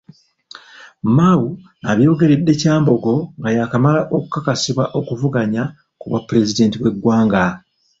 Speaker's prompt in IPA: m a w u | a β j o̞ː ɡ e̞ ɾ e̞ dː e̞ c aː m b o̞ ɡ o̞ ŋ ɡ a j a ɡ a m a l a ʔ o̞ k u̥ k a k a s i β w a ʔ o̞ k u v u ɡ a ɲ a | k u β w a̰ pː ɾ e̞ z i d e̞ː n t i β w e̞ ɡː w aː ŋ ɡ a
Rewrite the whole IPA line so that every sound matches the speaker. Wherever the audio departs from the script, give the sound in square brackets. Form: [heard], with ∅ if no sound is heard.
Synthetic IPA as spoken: m a w u | a β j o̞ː ɡ e̞ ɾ e̞ dː e̞ c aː m b o̞ ɡ o̞ ŋ ɡ a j a [k] a m a l a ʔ o̞ k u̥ k a k a s i β w a ʔ o̞ k u v u ɡ a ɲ a | k u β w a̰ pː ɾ e̞ z i d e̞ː n t i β w e̞ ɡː w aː ŋ ɡ a